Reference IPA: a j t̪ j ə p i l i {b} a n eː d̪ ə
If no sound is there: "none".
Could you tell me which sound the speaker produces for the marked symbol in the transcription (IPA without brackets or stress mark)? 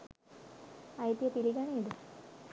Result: ɡ